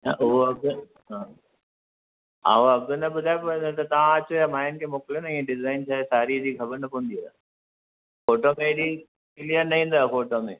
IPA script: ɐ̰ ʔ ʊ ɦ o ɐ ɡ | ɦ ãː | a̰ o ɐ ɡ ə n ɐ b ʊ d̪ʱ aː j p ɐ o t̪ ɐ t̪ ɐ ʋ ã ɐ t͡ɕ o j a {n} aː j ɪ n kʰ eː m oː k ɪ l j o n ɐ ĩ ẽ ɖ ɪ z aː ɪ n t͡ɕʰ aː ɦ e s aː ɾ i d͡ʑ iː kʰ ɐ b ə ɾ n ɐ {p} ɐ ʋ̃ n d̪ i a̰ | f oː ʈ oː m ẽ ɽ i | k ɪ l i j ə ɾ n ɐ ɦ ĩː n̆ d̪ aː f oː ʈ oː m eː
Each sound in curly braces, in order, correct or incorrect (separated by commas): incorrect, correct